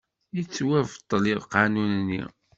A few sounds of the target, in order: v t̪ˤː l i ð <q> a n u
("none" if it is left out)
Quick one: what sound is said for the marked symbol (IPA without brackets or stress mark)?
q